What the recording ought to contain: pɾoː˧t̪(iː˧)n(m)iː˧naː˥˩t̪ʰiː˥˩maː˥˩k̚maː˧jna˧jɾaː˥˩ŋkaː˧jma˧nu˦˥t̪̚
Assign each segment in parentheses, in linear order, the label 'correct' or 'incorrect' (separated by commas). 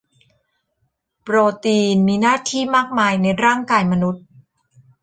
correct, correct